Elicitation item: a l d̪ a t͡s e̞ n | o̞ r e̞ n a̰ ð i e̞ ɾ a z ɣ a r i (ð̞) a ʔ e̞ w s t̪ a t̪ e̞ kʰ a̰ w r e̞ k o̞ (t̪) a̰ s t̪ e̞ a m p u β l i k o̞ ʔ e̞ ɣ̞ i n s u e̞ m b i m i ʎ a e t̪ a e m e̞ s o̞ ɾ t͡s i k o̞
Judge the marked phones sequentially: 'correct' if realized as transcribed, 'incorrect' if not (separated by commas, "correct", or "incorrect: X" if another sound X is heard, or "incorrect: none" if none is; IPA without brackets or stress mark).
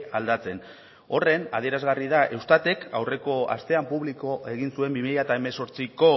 correct, incorrect: none